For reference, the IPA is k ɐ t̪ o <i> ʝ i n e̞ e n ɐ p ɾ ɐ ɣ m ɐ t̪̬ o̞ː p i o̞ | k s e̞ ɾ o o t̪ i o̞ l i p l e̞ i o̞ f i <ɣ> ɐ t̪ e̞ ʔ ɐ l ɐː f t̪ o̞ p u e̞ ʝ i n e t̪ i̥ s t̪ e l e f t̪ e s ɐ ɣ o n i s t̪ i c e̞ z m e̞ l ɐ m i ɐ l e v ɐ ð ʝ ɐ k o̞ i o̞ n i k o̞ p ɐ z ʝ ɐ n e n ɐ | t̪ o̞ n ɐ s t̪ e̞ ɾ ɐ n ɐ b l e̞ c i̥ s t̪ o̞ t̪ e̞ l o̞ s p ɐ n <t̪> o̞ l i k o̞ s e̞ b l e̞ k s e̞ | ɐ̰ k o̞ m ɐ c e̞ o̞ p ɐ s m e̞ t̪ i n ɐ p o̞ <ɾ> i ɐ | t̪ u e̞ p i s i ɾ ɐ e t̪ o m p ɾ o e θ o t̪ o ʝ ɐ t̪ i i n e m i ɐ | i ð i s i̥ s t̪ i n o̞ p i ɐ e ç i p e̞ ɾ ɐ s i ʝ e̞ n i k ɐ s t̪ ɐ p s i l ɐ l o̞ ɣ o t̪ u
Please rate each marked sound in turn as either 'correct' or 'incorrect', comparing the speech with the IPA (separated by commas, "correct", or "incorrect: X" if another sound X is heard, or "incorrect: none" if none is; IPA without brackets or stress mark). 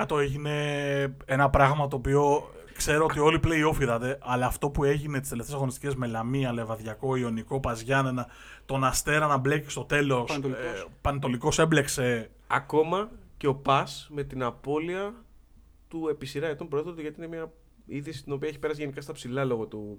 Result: incorrect: e, incorrect: ð, correct, incorrect: l